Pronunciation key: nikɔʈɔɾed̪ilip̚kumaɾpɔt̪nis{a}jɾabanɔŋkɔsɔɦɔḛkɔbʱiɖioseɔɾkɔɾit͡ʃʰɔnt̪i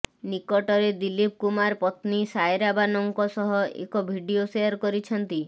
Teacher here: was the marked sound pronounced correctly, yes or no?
yes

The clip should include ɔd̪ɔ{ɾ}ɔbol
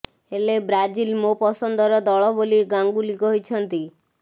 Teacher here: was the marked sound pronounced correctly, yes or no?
no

